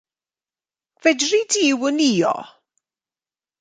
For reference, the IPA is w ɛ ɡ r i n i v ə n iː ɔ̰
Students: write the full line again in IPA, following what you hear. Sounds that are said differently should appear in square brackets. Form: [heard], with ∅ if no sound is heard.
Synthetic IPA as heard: [v] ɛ [d] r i [d] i [w] ə n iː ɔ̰